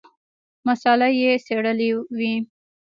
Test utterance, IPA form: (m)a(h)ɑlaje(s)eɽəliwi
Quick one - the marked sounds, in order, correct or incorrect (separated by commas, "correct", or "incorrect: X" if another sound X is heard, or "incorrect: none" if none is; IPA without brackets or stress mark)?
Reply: correct, incorrect: s, correct